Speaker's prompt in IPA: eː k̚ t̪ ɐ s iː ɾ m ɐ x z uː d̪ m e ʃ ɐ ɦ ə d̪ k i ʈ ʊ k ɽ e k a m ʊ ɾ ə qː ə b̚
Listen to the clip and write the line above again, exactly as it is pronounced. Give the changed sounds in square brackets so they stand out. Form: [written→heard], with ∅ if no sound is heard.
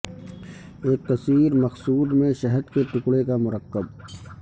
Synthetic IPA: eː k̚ t̪ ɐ s iː ɾ m ɐ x [z→s] uː d̪ m [e→ẽ] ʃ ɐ ɦ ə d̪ k [i→e] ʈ ʊ k ɽ e k a m ʊ ɾ ə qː ə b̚